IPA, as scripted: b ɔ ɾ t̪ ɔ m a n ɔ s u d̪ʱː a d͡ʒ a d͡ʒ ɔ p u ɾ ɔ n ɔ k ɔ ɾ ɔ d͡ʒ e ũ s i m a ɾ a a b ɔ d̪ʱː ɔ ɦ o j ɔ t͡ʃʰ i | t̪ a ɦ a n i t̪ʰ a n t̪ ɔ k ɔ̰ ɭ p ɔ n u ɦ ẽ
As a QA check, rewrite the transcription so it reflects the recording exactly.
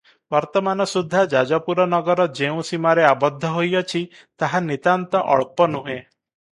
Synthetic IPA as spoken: b ɔ ɾ t̪ ɔ m a n ɔ s u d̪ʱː a d͡ʒ a d͡ʒ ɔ p u ɾ ɔ n ɔ ɡ ɔ ɾ ɔ d͡ʒ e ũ s i m a ɾ e a b ɔ d̪ʱː ɔ ɦ o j ɔ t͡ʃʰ i | t̪ a ɦ a n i t̪ a n t̪ ɔ ʔ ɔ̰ ɭ p ɔ n u ɦ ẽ